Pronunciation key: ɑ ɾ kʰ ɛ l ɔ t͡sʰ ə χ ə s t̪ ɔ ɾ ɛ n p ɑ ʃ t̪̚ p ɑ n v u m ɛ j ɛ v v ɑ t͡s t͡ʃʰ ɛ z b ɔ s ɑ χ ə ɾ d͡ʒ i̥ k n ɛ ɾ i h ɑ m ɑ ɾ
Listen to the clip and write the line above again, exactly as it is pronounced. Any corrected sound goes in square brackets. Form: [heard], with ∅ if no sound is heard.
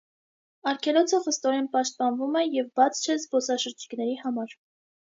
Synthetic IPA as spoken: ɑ ɾ kʰ ɛ l ɔ t͡sʰ ə χ ə s t̪ ɔ ɾ ɛ n p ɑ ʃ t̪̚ p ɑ n v u m ɛ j ɛ v [b] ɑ [t͡sʰ] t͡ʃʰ ɛ z b ɔ s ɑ [ʃ] ə ɾ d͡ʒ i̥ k n ɛ ɾ i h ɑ m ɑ ɾ

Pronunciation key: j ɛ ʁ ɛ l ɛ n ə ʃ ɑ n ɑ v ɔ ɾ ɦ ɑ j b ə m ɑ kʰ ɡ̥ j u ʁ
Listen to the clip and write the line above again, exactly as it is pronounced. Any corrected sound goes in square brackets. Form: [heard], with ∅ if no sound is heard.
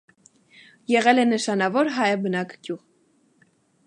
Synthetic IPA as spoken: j ɛ ʁ ɛ l ɛ n ə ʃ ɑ n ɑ v ɔ ɾ ɦ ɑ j b ə [n] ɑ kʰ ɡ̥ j u ʁ

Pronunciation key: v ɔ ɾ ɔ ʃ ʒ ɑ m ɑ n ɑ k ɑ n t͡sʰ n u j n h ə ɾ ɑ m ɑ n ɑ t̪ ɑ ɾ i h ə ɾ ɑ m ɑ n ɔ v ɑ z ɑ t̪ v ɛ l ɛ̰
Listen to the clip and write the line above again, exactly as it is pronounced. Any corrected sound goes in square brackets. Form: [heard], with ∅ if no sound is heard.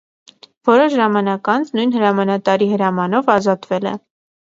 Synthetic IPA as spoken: v ɔ ɾ ɔ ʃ ʒ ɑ m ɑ n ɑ k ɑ n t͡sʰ n u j n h ə ɾ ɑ m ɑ n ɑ t̪ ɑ ɾ i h ə ɾ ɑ m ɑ n ɔ v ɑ z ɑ t̪ v ɛ l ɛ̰

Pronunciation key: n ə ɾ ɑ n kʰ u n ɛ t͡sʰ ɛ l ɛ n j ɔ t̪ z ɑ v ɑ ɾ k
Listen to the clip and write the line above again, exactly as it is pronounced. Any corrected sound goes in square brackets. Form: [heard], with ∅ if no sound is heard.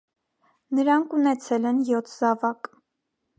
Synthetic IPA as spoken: n ə ɾ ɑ [ŋ] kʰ u n ɛ t͡sʰ ɛ l ɛ n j ɔ [t̪ʰ] z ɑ v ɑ [∅] k

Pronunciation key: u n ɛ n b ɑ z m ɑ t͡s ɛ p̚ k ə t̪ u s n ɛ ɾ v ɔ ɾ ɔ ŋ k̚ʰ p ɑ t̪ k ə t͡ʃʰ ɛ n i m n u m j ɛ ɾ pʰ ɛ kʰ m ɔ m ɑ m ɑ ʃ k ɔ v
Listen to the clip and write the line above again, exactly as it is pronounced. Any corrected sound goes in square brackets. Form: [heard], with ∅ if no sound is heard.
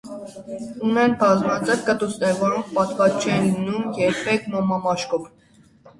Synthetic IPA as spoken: u n ɛ n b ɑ z m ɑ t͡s ɛ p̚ k ə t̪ u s n ɛ ɾ v ɔ ɾ ɔ ŋ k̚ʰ p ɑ t̪ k [ɑ] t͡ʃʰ ɛ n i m n u m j ɛ ɾ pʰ ɛ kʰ m ɔ m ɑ m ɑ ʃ k ɔ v

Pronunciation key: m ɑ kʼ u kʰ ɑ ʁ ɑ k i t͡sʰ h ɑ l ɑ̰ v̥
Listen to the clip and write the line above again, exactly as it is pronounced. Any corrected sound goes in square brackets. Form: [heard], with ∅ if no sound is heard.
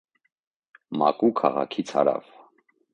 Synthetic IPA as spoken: m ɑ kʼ u kʰ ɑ ʁ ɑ [kʰ] i t͡sʰ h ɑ [ɾ] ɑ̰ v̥

